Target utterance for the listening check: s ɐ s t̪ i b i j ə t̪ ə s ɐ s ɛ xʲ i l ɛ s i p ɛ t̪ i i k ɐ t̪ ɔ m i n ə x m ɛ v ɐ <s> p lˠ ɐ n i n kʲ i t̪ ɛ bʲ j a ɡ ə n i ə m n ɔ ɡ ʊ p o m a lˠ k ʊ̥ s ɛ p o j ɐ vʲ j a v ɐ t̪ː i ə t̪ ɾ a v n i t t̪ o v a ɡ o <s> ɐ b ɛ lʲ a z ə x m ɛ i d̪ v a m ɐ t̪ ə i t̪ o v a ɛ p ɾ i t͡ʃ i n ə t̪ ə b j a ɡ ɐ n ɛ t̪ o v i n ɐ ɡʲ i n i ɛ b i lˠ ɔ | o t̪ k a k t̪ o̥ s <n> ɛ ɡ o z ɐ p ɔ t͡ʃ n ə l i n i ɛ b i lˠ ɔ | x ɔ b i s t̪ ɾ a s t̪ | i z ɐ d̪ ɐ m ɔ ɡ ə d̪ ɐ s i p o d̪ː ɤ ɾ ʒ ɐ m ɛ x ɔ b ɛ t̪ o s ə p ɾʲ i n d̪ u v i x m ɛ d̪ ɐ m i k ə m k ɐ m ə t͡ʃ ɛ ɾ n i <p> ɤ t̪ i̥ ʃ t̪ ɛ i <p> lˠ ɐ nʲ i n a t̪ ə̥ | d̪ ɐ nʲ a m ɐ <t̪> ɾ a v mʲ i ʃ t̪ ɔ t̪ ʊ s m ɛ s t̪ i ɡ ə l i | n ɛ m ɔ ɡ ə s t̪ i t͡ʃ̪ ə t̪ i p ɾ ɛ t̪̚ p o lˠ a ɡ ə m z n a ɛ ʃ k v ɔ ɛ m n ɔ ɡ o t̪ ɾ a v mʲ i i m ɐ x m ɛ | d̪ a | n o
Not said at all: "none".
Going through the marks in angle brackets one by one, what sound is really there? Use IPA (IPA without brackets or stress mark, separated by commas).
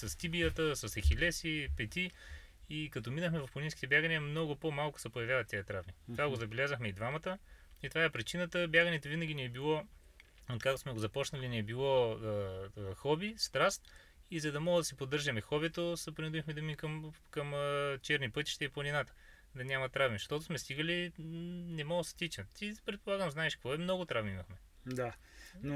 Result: f, z, m, p, p, t̪